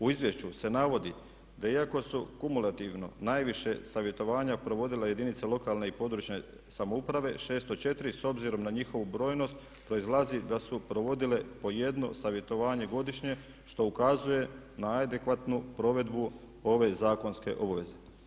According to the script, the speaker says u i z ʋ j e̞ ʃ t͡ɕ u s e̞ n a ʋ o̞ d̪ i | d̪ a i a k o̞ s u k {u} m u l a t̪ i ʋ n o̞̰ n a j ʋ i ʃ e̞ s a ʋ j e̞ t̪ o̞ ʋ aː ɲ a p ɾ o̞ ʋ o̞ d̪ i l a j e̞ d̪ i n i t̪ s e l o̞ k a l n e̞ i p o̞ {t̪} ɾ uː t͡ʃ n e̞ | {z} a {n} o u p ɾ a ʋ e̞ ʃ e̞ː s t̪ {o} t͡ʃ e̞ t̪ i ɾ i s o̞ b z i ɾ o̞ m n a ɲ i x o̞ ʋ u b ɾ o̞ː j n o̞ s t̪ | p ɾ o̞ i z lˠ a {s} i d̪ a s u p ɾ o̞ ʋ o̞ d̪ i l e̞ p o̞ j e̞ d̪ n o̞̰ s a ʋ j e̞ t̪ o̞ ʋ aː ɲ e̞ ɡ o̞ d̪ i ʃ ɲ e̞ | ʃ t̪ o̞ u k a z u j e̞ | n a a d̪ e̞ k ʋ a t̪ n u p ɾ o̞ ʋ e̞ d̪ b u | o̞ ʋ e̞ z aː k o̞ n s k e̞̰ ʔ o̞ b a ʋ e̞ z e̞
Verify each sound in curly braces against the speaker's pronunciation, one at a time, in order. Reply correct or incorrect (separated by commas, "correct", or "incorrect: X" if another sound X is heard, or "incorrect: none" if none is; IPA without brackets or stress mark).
correct, incorrect: d̪, incorrect: s, incorrect: m, correct, incorrect: z